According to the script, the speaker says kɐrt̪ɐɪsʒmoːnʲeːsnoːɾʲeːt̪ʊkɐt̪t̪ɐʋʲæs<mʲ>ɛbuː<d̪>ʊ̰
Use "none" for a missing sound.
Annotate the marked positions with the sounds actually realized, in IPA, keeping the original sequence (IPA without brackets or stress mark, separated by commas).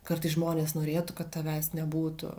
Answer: nʲ, t̪